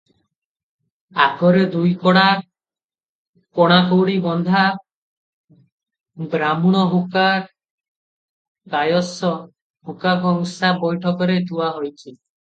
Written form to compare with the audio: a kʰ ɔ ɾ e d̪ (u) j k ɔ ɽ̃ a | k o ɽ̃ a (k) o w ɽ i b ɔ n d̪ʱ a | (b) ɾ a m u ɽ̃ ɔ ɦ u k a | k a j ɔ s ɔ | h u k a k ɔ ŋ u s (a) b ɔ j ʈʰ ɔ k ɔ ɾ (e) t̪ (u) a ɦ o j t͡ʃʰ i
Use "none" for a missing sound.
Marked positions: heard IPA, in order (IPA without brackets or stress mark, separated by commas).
u, k, b, a, e, u